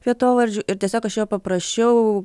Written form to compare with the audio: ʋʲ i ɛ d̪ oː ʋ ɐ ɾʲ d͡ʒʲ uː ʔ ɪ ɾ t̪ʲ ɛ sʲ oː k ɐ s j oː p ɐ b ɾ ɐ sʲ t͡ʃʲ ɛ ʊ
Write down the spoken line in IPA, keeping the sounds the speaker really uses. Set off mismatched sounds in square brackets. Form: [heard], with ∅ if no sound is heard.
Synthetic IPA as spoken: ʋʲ i ɛ [t̪] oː ʋ ɐ ɾʲ d͡ʒʲ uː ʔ ɪ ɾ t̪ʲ ɛ sʲ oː k ɐ [ʃ] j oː p ɐ [p] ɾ ɐ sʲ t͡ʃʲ ɛ ʊ